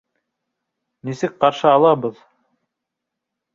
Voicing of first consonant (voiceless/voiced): voiced